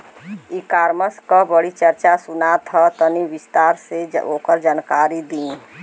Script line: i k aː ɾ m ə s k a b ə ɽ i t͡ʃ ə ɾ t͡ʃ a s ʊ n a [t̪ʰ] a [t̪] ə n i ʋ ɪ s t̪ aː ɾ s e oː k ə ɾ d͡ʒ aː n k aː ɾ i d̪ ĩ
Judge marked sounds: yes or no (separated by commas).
yes, yes